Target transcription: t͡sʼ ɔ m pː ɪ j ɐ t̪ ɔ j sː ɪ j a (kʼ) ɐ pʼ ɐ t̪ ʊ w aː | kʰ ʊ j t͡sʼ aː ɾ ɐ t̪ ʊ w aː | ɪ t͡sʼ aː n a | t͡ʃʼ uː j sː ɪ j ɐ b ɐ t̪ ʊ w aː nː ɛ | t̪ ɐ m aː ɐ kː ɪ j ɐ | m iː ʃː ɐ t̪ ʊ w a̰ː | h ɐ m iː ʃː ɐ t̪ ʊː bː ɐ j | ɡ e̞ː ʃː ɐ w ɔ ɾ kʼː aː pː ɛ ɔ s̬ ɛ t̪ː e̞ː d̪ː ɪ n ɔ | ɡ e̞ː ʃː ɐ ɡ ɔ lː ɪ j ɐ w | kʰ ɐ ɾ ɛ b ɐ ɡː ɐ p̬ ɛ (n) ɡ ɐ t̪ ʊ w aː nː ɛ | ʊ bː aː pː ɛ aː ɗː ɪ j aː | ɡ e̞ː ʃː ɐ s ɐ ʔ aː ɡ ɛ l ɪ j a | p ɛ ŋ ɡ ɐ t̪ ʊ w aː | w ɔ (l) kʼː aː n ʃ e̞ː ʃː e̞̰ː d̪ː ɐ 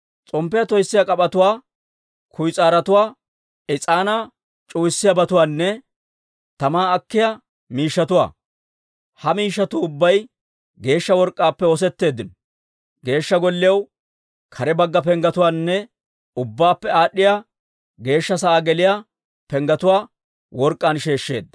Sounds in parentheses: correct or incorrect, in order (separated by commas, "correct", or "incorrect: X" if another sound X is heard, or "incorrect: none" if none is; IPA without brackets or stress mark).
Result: correct, incorrect: ŋ, incorrect: ɾ